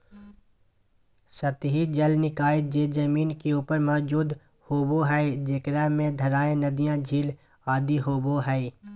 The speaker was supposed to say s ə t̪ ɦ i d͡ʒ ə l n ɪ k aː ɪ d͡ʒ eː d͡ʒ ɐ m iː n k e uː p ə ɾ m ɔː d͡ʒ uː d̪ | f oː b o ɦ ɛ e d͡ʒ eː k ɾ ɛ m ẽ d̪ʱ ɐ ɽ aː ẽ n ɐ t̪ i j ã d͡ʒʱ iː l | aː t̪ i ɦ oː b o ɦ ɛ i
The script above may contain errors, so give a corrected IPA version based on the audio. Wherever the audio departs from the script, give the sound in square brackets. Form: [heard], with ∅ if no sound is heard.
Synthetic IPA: s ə t̪ ɦ i d͡ʒ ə l n ɪ k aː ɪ d͡ʒ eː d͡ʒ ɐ m iː n k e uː p ə ɾ m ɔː d͡ʒ uː d̪ | [h] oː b o ɦ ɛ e d͡ʒ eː k ɾ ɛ m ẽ d̪ʱ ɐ [ɾ] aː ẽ n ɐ [d̪] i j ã d͡ʒʱ iː l | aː [d̪] i ɦ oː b o ɦ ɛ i